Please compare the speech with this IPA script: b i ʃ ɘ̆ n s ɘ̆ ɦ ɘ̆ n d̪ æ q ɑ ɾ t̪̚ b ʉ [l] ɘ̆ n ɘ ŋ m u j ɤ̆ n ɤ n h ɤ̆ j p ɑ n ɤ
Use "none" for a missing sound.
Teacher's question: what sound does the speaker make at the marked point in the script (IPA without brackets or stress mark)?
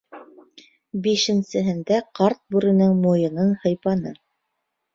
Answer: ɾ